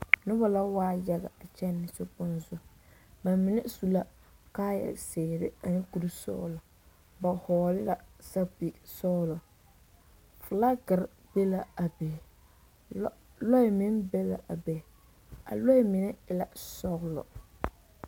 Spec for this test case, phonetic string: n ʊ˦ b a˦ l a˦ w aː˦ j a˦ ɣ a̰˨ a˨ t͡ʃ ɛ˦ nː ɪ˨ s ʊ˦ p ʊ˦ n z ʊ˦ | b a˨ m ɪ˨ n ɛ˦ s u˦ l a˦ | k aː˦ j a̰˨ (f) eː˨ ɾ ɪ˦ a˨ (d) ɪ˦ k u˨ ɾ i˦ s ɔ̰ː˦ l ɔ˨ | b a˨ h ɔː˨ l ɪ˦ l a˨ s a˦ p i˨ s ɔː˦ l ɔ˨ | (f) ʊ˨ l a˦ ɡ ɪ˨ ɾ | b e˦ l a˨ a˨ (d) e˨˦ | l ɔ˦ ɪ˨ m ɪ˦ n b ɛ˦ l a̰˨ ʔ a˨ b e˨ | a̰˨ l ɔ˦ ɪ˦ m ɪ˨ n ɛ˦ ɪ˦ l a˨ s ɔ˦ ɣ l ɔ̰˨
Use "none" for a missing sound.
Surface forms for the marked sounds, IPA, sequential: s, n, f, b

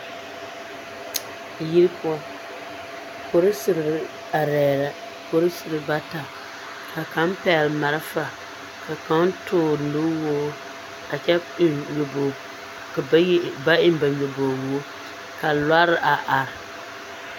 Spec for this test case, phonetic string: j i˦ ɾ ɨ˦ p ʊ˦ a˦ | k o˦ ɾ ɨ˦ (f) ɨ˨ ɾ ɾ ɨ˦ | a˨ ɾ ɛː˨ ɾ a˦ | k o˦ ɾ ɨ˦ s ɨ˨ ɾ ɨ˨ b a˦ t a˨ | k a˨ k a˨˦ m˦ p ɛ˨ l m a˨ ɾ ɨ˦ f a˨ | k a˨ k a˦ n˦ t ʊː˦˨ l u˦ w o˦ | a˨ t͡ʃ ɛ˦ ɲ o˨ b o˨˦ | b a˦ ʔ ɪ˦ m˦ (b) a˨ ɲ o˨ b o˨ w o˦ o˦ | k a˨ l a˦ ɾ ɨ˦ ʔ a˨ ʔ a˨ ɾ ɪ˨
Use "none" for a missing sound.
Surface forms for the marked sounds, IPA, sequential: s, b

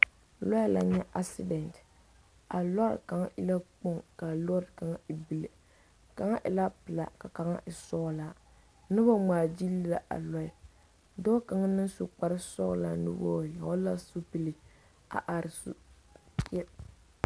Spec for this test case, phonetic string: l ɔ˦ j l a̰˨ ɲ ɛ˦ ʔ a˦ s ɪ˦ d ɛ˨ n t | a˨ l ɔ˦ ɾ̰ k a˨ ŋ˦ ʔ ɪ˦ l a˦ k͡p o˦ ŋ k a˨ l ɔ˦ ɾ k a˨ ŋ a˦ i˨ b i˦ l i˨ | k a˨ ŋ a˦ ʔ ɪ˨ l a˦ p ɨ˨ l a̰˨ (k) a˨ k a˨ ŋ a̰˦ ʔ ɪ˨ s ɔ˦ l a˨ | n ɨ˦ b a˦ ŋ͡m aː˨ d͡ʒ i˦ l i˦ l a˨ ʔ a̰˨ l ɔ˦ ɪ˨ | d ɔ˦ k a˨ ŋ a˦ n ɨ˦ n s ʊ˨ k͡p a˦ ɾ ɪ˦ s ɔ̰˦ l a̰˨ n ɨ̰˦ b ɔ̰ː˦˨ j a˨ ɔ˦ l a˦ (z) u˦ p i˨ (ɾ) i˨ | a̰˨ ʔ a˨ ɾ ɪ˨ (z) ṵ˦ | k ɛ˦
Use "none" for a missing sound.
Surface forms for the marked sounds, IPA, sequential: k, s, l, s

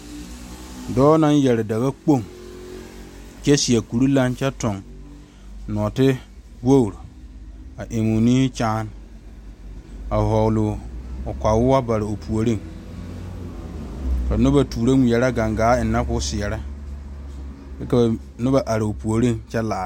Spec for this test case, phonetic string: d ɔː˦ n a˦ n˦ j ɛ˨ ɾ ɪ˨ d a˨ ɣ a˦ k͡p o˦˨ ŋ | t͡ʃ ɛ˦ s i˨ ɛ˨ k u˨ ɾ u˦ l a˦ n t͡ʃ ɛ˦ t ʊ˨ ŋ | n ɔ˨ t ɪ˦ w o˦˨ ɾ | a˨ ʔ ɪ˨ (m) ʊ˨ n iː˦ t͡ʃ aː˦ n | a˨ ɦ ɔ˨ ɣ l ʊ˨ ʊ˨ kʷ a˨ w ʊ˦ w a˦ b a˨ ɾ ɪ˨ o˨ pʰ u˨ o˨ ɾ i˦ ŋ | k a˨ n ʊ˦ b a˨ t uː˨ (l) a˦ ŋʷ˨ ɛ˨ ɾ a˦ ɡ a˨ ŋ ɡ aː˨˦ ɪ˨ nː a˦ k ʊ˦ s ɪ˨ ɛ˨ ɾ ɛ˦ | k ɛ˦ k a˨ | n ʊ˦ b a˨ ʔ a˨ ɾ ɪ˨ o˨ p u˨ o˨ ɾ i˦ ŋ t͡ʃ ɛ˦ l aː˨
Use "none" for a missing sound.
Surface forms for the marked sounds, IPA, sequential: m, ɾ

